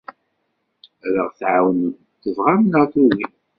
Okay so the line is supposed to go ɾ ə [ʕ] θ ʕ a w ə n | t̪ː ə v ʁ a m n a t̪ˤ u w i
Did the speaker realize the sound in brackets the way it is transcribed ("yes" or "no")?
no